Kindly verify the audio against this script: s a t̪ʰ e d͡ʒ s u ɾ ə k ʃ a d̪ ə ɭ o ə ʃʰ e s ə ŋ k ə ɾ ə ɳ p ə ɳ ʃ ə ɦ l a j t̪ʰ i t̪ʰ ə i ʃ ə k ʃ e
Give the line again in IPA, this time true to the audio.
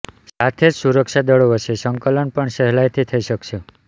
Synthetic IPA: s a t̪ʰ e d͡ʒ s u ɾ ə k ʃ a d̪ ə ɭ o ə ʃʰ e s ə ŋ k ə l ə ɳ p ə ɳ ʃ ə ɦ l a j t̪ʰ i t̪ʰ ə i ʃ ə k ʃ e